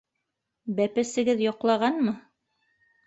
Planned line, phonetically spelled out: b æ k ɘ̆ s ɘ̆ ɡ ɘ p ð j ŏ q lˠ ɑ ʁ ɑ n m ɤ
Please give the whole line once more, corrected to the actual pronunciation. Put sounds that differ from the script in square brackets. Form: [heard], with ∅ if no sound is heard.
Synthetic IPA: b æ [p] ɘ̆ s ɘ̆ ɡ ɘ [∅] ð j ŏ q lˠ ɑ ʁ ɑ n m ɤ